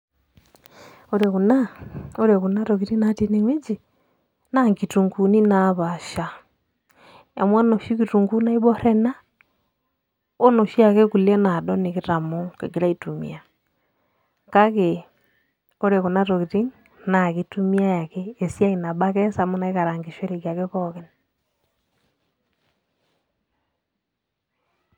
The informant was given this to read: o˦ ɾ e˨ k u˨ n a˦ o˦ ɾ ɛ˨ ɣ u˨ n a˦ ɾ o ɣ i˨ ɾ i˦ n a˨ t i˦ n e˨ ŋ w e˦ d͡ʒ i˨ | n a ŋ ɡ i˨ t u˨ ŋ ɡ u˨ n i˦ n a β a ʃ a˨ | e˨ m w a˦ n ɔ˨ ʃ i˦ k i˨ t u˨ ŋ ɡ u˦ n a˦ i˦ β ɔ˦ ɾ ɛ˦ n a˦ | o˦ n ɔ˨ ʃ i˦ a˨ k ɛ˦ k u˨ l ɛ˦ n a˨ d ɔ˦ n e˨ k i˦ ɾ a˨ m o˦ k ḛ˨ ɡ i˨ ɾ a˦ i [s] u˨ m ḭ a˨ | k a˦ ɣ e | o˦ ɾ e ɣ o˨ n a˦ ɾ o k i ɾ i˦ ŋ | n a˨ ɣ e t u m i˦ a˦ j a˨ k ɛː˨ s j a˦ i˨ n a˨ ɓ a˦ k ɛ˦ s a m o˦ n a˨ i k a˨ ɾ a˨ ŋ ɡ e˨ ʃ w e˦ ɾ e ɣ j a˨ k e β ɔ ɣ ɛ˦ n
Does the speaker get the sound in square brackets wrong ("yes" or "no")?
yes